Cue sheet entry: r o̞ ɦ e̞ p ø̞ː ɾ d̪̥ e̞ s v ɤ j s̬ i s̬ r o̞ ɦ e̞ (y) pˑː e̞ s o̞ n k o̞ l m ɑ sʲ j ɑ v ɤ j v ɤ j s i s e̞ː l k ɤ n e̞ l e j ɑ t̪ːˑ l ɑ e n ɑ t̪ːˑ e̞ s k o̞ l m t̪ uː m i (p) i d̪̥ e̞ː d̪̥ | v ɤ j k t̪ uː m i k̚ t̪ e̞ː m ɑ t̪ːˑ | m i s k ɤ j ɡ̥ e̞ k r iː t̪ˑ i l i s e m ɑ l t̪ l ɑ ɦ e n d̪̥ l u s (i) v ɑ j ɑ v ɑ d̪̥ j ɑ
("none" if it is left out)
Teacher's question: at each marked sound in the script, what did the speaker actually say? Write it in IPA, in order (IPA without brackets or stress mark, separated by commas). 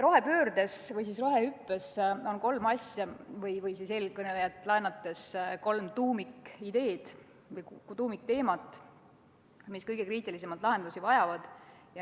y, k, i